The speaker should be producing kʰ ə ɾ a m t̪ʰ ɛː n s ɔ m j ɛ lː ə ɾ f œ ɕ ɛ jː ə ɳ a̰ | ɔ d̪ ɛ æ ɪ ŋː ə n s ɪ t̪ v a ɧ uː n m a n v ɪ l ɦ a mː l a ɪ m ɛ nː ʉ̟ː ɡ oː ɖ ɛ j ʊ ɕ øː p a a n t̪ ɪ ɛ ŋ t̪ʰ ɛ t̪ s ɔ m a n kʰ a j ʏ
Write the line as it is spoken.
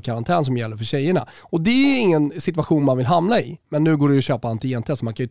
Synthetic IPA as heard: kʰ a ɾ a n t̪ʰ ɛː n s ɔ m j ɛ lː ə ɾ f œ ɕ ɛ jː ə ɳ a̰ | ɔ d̪ ɛ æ ɪ ŋː ə n s ɪ t̪ v a ɧ uː n m a n v ɪ l ɦ a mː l a ɪ m ɛ nː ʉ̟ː ɡ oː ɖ ɛ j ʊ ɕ øː p a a n t̪ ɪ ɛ n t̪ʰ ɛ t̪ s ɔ m a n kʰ a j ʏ